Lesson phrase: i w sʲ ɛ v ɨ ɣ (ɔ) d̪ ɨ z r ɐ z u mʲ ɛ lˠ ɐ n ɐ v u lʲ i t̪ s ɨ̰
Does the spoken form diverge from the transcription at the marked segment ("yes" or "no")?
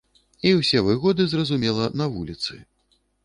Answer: no